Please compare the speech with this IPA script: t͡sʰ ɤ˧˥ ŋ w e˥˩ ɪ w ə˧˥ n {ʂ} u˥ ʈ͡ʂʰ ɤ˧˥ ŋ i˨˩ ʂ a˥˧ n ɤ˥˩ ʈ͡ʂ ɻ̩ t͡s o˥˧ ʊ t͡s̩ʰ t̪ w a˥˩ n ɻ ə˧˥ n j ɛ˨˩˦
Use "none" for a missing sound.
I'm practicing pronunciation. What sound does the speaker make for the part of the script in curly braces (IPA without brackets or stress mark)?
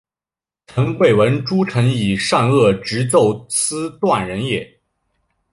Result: ʈ͡ʂ